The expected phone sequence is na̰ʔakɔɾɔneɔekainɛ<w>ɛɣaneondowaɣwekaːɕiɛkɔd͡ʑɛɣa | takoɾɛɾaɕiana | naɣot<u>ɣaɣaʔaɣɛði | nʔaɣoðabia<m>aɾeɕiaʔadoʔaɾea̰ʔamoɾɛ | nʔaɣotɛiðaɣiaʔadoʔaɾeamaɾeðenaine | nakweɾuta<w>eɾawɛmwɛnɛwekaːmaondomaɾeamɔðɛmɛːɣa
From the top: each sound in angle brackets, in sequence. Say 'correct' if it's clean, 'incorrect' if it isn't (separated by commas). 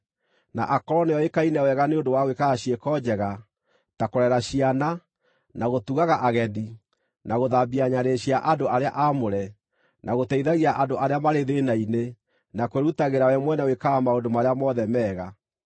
correct, correct, incorrect, incorrect